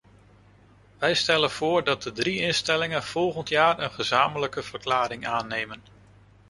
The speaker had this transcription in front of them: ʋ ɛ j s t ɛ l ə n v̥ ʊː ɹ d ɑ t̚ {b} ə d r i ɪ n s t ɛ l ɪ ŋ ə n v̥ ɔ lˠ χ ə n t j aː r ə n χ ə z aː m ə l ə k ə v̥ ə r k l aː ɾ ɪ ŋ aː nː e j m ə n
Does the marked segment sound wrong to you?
yes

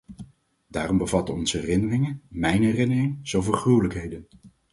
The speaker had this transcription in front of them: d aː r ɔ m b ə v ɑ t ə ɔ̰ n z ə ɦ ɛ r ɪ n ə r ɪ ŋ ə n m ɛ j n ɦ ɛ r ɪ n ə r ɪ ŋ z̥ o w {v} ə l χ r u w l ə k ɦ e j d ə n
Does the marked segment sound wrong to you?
no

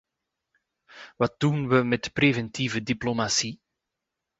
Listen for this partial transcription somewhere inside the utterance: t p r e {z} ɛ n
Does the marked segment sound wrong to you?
yes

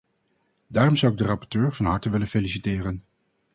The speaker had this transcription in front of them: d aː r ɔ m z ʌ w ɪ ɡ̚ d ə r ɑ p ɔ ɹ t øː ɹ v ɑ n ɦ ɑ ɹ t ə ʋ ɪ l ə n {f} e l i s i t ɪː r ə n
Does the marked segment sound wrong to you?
no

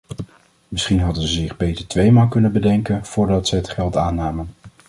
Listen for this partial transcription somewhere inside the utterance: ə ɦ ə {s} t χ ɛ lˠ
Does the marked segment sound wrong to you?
yes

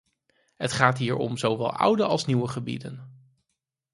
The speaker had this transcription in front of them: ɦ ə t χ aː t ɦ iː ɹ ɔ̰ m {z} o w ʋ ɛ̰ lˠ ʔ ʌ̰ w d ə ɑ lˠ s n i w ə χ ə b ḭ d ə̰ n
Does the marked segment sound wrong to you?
no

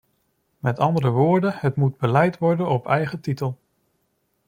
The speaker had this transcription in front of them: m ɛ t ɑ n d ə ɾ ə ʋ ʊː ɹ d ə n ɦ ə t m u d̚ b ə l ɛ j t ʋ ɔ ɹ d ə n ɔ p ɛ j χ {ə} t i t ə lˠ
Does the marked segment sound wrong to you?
no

